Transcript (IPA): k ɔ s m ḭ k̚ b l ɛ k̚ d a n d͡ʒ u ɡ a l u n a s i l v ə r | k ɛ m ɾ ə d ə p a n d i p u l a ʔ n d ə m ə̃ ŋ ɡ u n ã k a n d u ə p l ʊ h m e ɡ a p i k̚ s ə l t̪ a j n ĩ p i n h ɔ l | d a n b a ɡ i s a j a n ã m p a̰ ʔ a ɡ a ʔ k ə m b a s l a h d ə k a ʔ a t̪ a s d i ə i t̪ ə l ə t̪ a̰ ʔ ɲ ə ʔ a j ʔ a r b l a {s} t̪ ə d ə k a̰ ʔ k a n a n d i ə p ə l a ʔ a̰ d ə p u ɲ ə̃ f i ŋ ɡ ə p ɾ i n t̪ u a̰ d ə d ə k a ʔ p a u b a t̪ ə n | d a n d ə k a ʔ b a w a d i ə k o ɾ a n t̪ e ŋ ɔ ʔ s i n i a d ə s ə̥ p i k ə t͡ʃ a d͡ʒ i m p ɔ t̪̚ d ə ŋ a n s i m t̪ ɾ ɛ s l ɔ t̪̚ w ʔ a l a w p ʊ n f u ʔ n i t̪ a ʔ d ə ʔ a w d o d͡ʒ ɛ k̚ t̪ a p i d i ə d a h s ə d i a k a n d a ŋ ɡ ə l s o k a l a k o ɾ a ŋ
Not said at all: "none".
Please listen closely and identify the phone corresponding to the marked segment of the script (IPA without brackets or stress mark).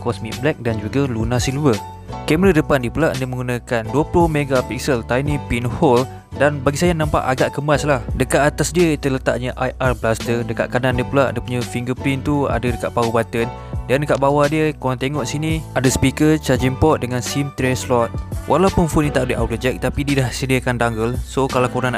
s